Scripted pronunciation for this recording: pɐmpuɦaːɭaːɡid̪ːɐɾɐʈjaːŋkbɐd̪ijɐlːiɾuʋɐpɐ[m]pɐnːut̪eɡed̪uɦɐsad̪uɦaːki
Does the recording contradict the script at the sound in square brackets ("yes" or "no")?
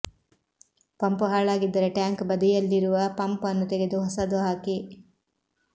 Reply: no